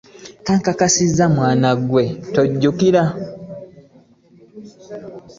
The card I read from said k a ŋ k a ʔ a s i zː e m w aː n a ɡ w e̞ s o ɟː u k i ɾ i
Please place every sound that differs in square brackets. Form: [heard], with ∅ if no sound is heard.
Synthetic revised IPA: k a ŋ k a [k] a s i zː [a] m w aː n a ɡ w e̞ [t] o ɟː u k i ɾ [a]